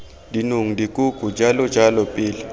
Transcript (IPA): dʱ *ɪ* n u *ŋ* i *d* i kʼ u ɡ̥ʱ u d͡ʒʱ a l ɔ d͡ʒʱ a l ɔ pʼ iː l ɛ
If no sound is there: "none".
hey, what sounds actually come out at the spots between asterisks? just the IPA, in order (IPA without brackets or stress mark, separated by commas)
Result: i, ŋ, d